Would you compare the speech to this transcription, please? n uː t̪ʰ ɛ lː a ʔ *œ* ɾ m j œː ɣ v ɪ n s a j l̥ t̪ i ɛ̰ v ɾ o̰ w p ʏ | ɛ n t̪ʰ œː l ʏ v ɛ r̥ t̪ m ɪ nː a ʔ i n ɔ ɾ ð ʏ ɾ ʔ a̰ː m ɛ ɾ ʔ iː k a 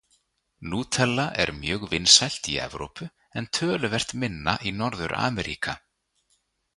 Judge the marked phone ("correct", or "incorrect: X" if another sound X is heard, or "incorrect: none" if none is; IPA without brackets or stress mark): incorrect: ɛ